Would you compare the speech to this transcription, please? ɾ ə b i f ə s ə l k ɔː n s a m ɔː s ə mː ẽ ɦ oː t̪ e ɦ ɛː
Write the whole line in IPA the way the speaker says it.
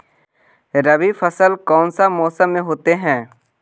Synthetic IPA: ɾ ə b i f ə s ə l k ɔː n s a m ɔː s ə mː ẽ ɦ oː t̪ e ɦ ɛ̃ː